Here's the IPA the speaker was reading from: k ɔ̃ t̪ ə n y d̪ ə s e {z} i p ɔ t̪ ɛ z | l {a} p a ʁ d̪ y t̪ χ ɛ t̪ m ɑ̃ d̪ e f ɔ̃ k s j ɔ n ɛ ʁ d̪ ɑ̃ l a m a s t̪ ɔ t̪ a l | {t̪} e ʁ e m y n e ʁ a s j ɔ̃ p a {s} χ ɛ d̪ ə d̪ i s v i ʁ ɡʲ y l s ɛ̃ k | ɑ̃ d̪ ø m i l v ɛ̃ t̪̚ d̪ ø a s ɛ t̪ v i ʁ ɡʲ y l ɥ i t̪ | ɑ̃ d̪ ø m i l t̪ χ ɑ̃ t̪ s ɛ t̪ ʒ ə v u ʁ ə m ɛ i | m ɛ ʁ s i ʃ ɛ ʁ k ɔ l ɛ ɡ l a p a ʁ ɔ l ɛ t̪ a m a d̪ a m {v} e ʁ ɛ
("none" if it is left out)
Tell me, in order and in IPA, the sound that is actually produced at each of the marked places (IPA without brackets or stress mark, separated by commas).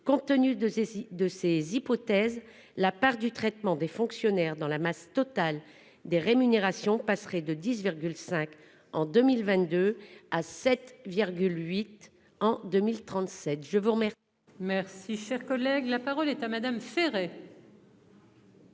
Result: z, a, d̪, s, f